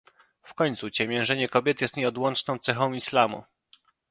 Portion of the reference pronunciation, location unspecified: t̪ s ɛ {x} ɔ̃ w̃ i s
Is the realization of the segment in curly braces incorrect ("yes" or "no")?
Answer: no